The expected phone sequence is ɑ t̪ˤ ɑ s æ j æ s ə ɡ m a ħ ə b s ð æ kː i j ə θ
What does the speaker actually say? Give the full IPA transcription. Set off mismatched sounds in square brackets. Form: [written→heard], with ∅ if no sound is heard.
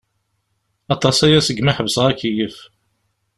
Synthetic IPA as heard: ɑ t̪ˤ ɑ s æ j æ s ə ɡ m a ħ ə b s [ð→ʁ] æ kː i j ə [θ→f]

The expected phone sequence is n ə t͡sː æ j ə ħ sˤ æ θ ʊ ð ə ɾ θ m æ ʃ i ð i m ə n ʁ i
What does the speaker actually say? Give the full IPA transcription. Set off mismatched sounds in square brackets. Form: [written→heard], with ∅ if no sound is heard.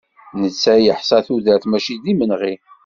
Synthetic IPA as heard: n ə t͡sː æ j ə ħ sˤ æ θ [ʊ→u] ð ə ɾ θ m æ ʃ i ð i m ə n ʁ i

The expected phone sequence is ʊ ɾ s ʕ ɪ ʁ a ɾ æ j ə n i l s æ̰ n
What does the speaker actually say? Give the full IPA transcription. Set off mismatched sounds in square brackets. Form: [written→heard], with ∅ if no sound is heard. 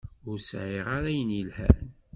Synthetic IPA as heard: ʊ ɾ s ʕ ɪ ʁ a ɾ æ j ə n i l [s→h] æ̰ n

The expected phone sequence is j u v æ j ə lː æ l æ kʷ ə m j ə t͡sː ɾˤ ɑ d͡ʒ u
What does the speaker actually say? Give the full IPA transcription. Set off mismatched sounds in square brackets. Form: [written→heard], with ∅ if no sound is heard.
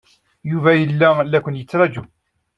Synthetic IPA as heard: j u v æ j ə lː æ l æ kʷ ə [m→n] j ə t͡sː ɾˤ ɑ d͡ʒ u

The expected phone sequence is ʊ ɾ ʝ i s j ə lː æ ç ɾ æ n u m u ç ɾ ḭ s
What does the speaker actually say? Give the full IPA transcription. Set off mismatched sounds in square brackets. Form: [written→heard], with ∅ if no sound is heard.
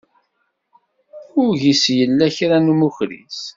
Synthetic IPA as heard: ʊ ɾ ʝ i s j ə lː æ ç ɾ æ n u m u ç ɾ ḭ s

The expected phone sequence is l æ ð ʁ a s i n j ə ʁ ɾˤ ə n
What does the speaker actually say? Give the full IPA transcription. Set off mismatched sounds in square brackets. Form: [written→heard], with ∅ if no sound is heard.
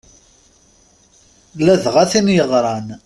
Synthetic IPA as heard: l æ ð ʁ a [s→θ] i n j ə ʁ ɾˤ [ə→ɑ] n

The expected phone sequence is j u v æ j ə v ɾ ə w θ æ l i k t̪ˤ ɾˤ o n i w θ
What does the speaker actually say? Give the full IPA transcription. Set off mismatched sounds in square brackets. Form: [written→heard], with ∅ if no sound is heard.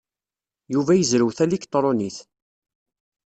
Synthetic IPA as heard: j u v æ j ə [v→z] ɾ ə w θ æ l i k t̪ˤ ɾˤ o n i [w→∅] θ

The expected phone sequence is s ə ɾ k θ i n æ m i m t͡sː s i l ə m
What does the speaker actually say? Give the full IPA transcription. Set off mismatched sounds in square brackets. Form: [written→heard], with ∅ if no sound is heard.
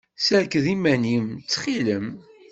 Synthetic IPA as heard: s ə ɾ k [θ→ð] i [n→m] æ [m→n] i m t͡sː [s→χ] i l ə m

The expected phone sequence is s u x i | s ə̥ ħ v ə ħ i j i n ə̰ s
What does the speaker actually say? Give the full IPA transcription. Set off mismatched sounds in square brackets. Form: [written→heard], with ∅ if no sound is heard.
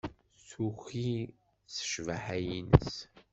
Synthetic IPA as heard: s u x i | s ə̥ [ħ→ʃ] v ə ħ [i→æ] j i n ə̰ s

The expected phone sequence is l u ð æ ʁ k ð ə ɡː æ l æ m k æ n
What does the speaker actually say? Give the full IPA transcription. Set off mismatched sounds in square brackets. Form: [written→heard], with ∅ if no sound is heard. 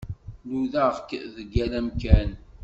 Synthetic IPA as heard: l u ð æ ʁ k ð ə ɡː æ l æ m k æ n

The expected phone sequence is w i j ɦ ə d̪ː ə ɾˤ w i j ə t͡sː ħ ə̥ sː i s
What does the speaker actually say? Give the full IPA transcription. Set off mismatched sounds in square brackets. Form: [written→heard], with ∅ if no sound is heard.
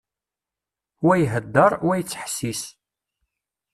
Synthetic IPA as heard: w [i→æ] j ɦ ə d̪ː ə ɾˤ w [i→æ] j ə t͡sː ħ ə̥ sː i s

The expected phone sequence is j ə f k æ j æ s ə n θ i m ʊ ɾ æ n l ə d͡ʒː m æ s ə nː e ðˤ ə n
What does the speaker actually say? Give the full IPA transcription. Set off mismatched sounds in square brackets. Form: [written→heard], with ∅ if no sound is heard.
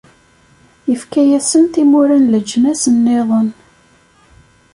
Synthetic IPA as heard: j ə f k æ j æ s ə n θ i m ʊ ɾ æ n l ə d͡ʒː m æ s ə nː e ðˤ ə n

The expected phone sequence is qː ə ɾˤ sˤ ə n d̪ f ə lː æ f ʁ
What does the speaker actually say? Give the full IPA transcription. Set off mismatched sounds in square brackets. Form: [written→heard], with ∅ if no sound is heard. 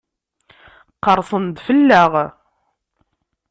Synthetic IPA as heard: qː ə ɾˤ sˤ ə n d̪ f ə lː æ [f→∅] ʁ

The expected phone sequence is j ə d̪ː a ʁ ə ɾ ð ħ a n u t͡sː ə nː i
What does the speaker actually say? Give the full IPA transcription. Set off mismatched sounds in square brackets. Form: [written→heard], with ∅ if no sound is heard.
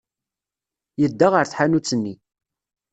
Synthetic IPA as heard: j ə d̪ː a ʁ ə ɾ [ð→θ] ħ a n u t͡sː ə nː i

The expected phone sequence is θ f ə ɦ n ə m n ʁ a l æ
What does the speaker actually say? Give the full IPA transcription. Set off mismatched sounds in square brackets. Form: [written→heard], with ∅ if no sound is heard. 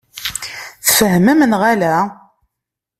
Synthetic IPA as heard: θ f ə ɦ [n→m] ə m n ʁ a l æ

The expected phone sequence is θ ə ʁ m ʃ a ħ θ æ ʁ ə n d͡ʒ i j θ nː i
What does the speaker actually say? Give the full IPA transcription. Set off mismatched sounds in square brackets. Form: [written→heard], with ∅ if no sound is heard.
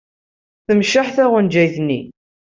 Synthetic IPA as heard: θ ə [ʁ→∅] m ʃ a ħ θ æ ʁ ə n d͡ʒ [i→æ] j θ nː i

